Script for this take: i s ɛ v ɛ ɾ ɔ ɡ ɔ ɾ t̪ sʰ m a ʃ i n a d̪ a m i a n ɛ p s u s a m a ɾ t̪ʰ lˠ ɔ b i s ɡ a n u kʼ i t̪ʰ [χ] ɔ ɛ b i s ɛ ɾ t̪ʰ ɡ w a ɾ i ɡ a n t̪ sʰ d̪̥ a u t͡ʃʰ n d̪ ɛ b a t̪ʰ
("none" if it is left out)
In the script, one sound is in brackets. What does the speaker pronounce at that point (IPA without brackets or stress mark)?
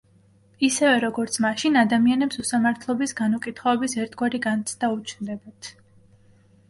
χ